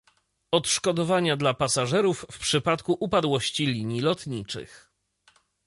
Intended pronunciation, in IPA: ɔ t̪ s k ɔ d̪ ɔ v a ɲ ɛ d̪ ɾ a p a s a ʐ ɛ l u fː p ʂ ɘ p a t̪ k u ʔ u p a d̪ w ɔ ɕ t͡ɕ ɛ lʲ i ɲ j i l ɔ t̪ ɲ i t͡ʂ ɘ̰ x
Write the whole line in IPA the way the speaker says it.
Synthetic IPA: ɔ t̪ ʂ k ɔ d̪ ɔ v a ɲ a d̪ l a p a s a ʐ ɛ ɾ u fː p ʂ ɘ p a t̪ k u ʔ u p a d̪ w ɔ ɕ t͡ɕ i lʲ i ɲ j i l ɔ t̪ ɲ i t͡ʂ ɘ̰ x